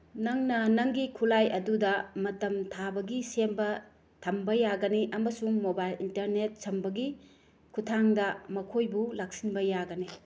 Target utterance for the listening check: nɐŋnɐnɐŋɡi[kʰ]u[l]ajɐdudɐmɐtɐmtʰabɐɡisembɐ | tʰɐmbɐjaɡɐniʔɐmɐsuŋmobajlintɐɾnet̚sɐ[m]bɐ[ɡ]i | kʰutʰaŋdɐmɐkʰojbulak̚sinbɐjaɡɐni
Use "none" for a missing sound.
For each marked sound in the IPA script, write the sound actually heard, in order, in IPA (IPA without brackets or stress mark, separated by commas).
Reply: kʰ, l, m, ɡ